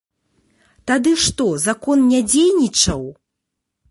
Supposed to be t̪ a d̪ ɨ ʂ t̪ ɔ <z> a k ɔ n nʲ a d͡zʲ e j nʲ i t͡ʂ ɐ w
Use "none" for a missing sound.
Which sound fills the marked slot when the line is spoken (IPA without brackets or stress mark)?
z